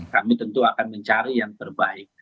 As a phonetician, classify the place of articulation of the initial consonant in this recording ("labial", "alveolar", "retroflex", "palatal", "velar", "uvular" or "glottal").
velar